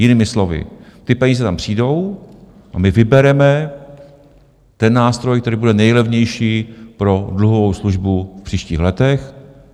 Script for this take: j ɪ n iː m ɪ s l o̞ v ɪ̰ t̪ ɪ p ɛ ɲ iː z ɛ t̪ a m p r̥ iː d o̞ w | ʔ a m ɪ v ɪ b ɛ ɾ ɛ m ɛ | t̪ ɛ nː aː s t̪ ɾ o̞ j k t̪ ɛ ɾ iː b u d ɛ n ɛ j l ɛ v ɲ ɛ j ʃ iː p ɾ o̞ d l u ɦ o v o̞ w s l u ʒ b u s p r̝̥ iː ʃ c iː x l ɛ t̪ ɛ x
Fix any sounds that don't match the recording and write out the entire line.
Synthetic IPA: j ɪ n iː m ɪ s l o̞ v ɪ̰ t̪ ɪ p ɛ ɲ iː z ɛ t̪ a m p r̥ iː d o̞ w | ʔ a m ɪ v ɪ b ɛ ɾ ɛ m ɛ | t̪ ɛ nː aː s t̪ ɾ o̞ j k t̪ ɛ ɾ iː b u d ɛ n ɛ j l ɛ v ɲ ɛ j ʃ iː p ɾ o̞ d l u ɦ o v o̞ w s l u ʒ b u f p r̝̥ iː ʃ c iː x l ɛ t̪ ɛ x